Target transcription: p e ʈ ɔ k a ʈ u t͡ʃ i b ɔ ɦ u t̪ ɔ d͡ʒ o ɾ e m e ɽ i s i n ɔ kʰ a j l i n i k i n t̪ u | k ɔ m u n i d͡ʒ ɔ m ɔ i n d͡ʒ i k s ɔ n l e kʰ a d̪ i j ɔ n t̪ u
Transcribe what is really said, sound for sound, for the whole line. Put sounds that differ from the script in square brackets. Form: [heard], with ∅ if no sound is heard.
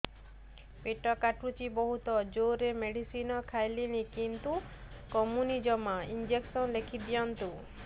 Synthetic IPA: p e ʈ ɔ k a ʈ u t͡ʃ i b ɔ ɦ u t̪ ɔ d͡ʒ o ɾ e m e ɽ i s i n ɔ kʰ a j l i n i k i n t̪ u | k ɔ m u n i d͡ʒ ɔ m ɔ i n d͡ʒ [e] k s ɔ n l e kʰ [i] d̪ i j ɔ n t̪ u